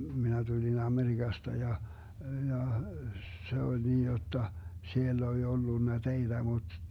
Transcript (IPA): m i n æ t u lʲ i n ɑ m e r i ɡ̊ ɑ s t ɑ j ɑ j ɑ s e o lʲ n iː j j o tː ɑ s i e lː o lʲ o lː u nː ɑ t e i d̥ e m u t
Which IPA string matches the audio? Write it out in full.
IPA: m i n æ t u lʲ i n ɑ m e r i ɡ̊ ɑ s t ɑ j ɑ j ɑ s e o lʲ n iː j j o tː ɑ s i e lː o lʲ o lː u nː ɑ t e i d̥ æ m u t